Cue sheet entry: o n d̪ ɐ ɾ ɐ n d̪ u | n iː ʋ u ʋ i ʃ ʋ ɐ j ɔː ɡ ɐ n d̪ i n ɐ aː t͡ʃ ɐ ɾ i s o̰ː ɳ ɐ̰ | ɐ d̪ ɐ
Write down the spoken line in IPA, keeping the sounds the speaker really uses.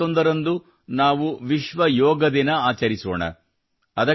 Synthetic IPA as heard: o n d̪ ɐ ɾ ɐ n d̪ u | n aː ʋ u ʋ i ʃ ʋ ɐ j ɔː ɡ ɐ d̪ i n ɐ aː t͡ʃ ɐ ɾ i s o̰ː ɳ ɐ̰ | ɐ d̪ ɐ